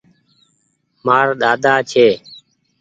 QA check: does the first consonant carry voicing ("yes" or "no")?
yes